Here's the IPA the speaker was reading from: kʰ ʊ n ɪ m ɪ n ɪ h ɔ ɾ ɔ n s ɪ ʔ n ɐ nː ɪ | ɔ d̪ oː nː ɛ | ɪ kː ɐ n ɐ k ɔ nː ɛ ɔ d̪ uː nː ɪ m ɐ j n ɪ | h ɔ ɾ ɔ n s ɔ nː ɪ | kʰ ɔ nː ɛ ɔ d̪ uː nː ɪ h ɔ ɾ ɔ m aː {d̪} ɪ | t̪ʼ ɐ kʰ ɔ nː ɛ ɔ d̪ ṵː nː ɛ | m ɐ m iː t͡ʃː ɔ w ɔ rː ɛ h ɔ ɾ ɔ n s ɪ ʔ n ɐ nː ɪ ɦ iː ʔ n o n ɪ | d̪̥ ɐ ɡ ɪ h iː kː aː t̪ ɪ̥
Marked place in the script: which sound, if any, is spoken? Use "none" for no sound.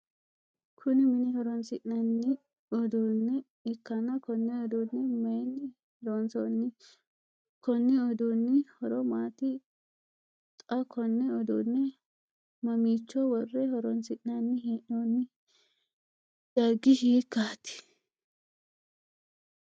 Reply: t̪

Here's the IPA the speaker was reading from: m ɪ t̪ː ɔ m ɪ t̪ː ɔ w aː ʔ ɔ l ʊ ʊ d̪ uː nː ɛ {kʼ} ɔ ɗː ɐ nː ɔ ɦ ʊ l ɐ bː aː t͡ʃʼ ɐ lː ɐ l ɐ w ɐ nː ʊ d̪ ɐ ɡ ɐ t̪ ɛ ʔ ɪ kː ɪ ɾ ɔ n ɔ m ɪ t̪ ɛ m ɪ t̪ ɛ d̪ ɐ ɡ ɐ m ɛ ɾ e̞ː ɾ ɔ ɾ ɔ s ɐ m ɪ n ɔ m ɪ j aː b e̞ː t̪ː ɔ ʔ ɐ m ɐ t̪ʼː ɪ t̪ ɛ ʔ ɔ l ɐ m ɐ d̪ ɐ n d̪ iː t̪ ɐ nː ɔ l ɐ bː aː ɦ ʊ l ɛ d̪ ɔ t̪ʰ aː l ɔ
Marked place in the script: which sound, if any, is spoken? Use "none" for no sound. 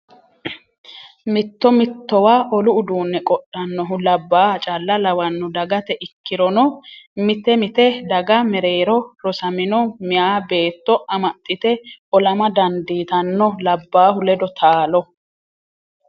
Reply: kʼ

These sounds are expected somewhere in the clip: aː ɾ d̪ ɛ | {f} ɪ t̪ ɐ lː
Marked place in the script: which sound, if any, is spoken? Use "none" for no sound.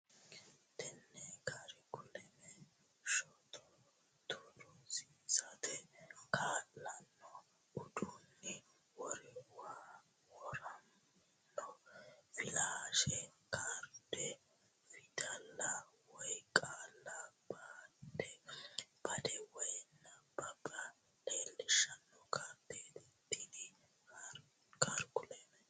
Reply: f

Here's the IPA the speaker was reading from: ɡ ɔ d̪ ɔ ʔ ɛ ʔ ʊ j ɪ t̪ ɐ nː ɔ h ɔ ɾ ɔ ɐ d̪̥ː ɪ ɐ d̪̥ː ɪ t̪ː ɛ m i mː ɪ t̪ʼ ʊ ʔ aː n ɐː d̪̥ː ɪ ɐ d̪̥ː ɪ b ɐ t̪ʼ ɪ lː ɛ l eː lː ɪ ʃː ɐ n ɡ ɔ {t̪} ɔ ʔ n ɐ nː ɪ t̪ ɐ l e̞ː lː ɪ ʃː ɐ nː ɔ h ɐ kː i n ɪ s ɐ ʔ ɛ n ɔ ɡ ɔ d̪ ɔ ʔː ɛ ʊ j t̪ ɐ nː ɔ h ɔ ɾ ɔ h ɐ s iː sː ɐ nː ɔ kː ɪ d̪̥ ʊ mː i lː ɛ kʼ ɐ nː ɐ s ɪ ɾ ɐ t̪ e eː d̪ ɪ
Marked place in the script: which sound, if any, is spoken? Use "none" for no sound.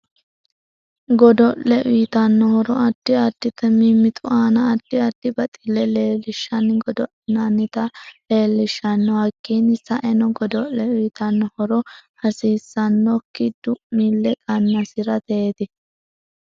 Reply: d̪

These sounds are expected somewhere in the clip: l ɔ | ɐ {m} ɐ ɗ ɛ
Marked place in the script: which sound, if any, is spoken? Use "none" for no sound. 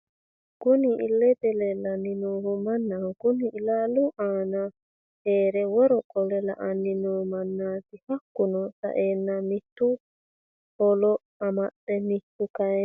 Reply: m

